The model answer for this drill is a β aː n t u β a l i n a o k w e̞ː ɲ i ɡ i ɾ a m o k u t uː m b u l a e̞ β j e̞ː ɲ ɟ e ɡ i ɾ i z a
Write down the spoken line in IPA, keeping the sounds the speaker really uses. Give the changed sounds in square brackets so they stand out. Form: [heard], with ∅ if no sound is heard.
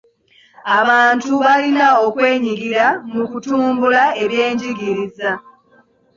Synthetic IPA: a β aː n t u β a l i n a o k w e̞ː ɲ i ɡ i ɾ a m [u] k u t uː m b u l a e̞ β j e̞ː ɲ ɟ [i] ɡ i ɾ i z a